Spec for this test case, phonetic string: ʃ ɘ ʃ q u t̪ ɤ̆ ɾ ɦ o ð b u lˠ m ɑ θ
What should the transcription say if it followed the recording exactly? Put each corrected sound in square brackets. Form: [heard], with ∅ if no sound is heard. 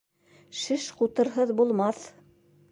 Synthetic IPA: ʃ ɘ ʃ q u t̪ ɤ̆ ɾ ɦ [ɤ] ð b u lˠ m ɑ θ

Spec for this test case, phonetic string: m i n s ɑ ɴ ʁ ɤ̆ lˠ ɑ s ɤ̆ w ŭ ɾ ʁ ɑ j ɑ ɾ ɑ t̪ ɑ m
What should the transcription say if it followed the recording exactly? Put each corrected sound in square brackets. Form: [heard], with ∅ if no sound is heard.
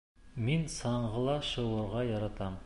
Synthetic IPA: m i n s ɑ ɴ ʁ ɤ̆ lˠ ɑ [ʃ] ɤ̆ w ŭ ɾ ʁ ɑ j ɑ ɾ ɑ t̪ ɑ m

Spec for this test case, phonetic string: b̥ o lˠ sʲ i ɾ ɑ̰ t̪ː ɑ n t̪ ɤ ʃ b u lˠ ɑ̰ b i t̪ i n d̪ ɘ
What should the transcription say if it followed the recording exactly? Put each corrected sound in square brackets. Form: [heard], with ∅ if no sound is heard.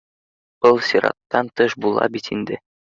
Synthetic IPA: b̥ [ɤ] lˠ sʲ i ɾ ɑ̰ t̪ː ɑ n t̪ ɤ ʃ b u lˠ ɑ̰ b i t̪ i n d̪ ɘ

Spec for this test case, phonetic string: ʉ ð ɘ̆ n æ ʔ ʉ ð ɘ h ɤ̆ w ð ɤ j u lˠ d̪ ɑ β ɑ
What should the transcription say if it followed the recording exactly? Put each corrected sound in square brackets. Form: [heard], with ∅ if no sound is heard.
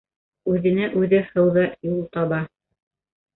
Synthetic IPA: ʉ ð ɘ̆ n æ ʔ ʉ ð ɘ h ɤ̆ w ð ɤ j u lˠ [t̪] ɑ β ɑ

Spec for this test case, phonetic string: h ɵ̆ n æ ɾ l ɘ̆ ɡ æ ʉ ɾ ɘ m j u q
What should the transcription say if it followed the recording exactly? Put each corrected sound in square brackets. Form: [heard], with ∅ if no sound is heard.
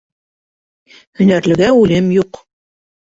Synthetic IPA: h ɵ̆ n æ ɾ l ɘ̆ ɡ æ ʉ [l] ɘ m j u q

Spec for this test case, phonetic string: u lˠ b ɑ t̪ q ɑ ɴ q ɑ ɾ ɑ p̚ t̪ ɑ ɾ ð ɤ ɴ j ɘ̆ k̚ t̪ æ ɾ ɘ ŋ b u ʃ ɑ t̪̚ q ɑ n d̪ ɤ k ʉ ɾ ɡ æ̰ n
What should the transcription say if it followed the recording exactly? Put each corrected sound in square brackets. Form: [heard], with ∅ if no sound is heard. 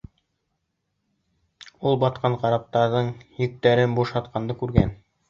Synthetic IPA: u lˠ b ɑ t̪ q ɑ ɴ q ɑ ɾ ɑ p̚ t̪ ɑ ɾ ð ɤ ɴ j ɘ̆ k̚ t̪ æ ɾ ɘ [n] b u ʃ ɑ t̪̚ q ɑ n d̪ ɤ k ʉ ɾ ɡ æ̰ n

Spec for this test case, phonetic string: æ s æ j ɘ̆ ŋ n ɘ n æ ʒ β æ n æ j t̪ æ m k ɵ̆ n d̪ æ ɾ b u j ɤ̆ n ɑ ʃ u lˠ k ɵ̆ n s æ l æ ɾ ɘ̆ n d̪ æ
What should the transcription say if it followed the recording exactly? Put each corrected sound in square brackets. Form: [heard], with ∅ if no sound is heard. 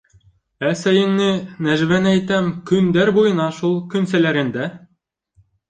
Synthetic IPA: æ s æ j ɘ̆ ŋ n ɘ n æ ʒ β æ n æ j t̪ æ m k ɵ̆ n d̪ æ ɾ b u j ɤ̆ n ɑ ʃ u lˠ k ɵ̆ n s æ l æ ɾ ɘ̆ n d̪ æ

